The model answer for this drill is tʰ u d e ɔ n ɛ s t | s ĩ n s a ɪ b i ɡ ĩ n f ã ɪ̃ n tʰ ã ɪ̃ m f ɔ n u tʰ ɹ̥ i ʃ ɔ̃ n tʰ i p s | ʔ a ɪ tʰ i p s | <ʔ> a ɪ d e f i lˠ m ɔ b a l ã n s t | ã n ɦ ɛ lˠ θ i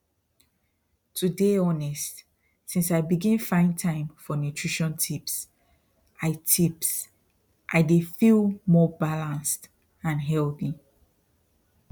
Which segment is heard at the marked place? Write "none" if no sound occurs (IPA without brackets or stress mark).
ʔ